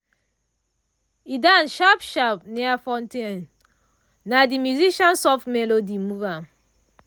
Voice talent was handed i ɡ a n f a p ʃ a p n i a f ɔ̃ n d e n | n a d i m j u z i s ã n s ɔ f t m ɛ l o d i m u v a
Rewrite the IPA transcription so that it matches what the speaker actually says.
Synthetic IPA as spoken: i d a n ʃ a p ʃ a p n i a f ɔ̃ n t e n | n a d i m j u z i ʃ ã n s ɔ f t m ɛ l o d i m u v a